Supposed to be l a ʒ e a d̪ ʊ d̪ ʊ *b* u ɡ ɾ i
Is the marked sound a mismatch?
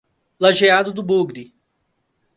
no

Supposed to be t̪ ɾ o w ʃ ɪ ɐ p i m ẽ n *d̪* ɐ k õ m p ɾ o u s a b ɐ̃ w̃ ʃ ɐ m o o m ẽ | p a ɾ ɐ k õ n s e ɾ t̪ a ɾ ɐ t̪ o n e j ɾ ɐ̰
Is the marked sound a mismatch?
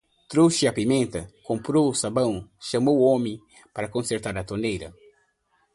yes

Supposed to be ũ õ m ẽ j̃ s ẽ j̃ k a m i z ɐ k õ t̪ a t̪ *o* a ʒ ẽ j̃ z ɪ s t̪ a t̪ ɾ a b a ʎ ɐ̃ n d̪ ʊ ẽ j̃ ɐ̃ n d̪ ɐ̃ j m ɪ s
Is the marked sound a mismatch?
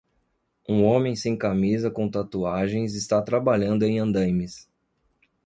yes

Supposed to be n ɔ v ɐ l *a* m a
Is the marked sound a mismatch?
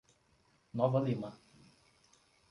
yes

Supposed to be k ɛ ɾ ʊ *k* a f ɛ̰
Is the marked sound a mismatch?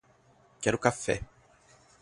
no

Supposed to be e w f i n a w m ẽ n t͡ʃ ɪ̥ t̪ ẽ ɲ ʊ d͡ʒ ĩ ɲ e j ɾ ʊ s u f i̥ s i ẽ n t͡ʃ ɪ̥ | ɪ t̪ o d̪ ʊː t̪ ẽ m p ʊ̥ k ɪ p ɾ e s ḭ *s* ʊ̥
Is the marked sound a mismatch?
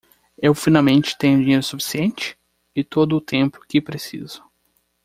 yes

